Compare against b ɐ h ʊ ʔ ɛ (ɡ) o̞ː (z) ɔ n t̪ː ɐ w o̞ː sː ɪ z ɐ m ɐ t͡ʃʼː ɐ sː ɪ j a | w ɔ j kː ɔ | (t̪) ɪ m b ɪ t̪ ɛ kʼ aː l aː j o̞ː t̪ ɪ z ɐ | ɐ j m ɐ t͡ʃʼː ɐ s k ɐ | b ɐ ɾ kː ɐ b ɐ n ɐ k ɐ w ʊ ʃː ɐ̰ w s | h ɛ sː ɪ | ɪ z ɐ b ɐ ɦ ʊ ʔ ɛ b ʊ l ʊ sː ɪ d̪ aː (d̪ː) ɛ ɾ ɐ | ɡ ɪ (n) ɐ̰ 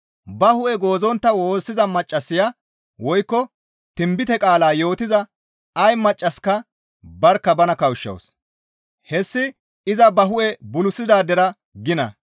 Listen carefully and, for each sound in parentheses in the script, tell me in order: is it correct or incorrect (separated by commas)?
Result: correct, correct, correct, incorrect, correct